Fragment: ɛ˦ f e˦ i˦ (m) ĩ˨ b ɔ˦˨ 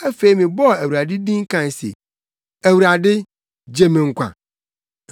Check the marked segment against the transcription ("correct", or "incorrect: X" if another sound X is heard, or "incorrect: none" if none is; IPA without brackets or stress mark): correct